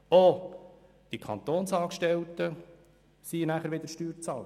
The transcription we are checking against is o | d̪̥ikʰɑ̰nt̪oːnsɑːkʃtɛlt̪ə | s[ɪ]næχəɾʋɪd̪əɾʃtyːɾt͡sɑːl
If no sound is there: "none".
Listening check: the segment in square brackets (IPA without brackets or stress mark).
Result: i